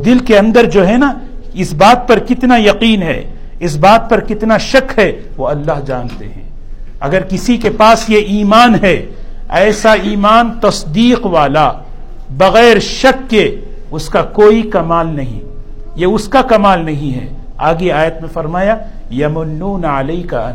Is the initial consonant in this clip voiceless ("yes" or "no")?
no